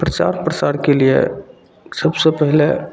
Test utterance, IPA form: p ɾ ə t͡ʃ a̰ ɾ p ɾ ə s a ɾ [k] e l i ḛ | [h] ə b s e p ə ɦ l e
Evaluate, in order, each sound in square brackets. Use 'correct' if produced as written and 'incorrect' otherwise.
correct, incorrect: s

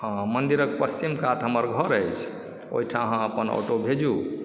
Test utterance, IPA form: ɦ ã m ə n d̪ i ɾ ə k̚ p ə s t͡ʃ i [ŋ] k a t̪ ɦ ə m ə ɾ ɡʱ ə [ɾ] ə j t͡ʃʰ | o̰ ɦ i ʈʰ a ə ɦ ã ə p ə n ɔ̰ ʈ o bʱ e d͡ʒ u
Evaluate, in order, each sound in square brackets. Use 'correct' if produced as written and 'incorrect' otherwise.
incorrect: m, correct

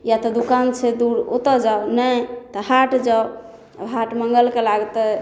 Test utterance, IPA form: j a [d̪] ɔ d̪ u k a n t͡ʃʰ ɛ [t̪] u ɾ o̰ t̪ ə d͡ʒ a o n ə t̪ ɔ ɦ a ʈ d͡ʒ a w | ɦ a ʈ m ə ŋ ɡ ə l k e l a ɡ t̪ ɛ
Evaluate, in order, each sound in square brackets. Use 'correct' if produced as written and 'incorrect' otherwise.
incorrect: t̪, incorrect: d̪

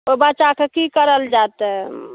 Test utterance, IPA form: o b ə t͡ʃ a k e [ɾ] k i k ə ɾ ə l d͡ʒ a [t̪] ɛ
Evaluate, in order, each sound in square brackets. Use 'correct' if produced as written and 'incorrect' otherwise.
incorrect: none, correct

